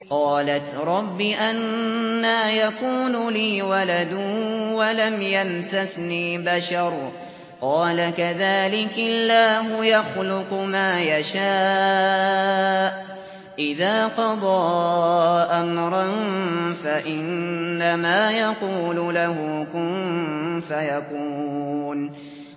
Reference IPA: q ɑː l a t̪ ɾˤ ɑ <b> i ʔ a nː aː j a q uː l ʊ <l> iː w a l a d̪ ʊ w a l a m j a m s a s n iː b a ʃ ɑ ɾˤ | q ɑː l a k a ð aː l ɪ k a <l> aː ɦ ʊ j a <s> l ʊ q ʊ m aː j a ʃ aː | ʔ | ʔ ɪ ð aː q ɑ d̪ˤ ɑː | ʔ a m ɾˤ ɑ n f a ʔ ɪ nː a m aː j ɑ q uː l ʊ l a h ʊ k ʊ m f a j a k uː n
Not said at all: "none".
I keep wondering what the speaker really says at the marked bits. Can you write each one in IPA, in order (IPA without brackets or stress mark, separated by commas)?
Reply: bː, l, lː, x